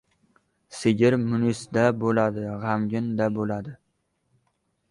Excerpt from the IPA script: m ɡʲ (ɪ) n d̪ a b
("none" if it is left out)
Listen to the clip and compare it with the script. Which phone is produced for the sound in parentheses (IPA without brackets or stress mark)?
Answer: ɪ